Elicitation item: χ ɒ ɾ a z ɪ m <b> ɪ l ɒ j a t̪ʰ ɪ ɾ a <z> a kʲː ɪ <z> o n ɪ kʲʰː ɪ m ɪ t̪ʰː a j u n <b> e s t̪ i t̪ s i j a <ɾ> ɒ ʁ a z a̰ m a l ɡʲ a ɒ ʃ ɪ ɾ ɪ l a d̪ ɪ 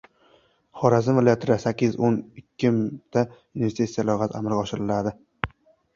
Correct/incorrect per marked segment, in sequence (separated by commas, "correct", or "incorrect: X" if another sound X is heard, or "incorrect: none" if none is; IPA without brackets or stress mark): incorrect: v, incorrect: s, correct, incorrect: v, incorrect: l